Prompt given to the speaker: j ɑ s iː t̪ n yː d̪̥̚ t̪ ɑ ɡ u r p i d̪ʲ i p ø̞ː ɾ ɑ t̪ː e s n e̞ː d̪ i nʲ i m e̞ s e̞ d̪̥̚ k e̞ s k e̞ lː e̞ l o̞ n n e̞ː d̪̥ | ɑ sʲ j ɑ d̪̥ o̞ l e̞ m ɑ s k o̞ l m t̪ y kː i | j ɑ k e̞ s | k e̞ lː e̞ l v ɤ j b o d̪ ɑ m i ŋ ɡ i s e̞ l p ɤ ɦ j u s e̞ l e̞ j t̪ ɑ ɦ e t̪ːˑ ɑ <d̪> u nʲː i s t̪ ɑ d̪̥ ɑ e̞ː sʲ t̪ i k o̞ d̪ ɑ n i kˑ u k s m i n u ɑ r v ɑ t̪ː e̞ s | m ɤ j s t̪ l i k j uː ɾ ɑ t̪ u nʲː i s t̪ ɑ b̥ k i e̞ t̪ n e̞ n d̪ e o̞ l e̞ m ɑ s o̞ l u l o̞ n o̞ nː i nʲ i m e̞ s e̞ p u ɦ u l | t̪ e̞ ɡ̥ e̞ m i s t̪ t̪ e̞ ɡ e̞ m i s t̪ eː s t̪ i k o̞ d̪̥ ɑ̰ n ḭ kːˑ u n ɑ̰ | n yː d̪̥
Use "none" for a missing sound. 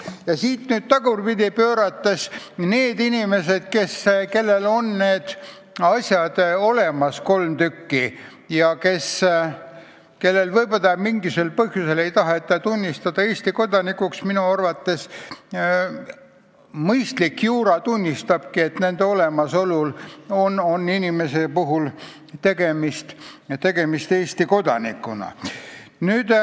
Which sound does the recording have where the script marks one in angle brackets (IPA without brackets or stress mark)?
t̪